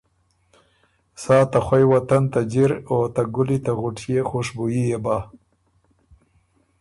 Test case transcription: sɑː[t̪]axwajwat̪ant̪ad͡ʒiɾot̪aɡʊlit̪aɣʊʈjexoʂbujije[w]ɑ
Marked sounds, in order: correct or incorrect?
correct, incorrect: b

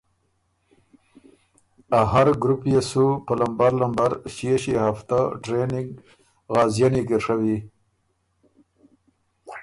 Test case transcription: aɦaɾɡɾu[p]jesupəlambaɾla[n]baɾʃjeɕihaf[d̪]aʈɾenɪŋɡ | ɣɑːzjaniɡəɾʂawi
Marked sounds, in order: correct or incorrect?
correct, incorrect: m, incorrect: t̪

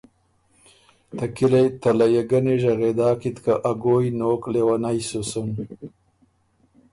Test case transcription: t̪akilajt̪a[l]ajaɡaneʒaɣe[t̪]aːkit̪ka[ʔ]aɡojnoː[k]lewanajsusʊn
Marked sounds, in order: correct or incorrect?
correct, incorrect: d̪, correct, correct

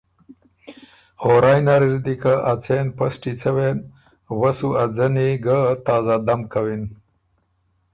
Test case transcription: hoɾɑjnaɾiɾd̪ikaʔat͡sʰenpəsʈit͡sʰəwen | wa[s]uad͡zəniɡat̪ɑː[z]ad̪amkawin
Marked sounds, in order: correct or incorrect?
correct, correct

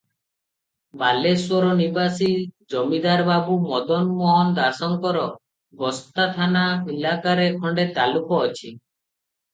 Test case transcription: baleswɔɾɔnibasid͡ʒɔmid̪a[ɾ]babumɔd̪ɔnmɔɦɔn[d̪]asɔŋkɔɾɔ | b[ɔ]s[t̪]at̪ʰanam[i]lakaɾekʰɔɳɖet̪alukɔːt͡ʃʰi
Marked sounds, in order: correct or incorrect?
correct, correct, correct, correct, correct

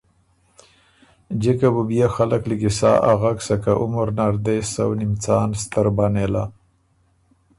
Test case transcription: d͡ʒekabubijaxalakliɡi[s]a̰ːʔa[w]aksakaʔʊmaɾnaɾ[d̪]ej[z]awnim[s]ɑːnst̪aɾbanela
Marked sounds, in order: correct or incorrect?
correct, incorrect: ɣ, correct, incorrect: s, incorrect: t͡s

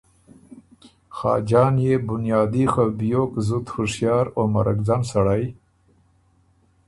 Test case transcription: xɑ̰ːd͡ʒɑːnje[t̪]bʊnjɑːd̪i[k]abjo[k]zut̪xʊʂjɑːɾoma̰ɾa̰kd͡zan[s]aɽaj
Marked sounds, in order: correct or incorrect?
incorrect: none, incorrect: x, correct, correct

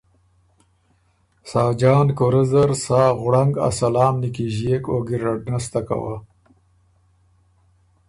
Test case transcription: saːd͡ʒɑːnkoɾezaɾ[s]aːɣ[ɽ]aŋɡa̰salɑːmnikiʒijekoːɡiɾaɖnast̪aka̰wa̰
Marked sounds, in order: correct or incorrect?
correct, correct

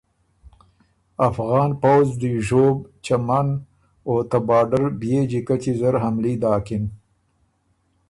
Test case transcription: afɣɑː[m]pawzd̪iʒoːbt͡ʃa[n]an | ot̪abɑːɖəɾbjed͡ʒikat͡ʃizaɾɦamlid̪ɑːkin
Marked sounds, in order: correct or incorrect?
incorrect: n, incorrect: m

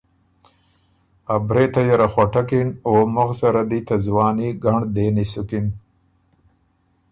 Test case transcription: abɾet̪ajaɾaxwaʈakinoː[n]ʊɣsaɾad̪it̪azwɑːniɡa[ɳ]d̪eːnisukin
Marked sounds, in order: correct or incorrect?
incorrect: m, correct

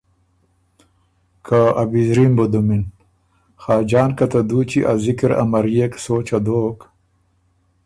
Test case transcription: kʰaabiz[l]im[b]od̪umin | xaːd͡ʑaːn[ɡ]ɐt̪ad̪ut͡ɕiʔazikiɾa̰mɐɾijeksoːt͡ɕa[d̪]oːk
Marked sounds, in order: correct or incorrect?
incorrect: ɾ, correct, incorrect: k, correct

